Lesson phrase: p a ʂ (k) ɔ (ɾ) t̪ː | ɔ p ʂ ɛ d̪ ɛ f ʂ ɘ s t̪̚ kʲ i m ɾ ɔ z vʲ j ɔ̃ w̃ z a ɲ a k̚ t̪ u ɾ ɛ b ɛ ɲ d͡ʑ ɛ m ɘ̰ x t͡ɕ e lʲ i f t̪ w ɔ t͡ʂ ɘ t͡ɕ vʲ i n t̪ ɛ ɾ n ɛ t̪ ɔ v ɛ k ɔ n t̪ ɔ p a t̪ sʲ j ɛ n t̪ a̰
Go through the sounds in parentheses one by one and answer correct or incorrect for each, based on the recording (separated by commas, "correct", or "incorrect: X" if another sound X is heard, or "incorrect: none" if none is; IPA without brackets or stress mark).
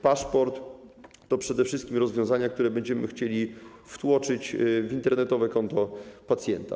incorrect: p, correct